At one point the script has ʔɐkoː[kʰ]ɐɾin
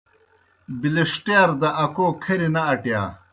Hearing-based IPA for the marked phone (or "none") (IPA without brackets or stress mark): kʰ